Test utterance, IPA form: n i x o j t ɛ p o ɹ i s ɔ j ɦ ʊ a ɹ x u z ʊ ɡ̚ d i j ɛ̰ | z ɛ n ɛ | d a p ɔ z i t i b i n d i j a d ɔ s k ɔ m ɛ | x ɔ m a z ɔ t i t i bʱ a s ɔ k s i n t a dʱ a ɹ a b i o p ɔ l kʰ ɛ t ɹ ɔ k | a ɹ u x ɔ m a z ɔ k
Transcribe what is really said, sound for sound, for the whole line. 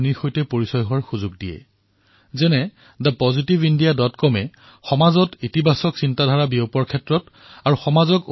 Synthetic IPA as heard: n i x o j t ɛ p o ɹ i s ɔ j ɦ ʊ a ɹ x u z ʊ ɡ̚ d i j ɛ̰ | z ɛ n ɛ | d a p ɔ z i t i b i n d i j a d ɔ t k ɔ m ɛ | x ɔ m a z ɔ t i t i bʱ a s ɔ k s i n t a dʱ a ɹ a b i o p ɔ ɹ kʰ ɛ t ɹ ɔ t | a ɹ u x ɔ m a z ɔ k